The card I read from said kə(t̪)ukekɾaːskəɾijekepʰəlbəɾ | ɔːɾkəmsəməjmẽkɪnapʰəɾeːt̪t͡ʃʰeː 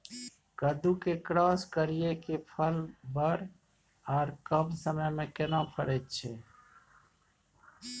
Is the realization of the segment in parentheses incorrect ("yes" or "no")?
yes